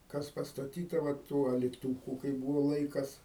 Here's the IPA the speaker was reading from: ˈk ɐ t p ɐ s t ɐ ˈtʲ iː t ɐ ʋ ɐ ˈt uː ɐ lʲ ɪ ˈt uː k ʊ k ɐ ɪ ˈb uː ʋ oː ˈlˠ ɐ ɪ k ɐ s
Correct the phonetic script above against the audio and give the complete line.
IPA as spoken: ˈk ɐ s p ɐ s t ɐ ˈtʲ iː t ɐ ʋ ɐ ˈt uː ɐ lʲ ɪ ˈt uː k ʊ k ɐ ɪ ˈb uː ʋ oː ˈlˠ ɐ ɪ k ɐ s